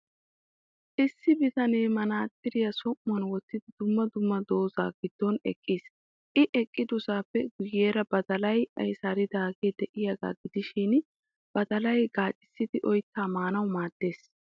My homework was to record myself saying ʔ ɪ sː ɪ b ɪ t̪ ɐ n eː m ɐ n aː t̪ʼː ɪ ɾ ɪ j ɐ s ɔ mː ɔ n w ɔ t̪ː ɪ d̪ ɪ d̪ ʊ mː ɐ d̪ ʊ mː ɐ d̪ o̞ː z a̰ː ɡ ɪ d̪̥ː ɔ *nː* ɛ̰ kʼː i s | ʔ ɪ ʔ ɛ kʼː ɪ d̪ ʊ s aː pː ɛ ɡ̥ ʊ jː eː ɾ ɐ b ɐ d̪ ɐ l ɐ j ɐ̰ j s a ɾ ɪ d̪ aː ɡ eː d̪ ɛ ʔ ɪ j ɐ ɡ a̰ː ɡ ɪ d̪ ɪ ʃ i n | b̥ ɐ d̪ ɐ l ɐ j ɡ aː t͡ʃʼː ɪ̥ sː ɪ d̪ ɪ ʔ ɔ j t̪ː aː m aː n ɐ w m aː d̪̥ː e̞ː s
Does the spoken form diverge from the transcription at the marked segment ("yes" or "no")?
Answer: yes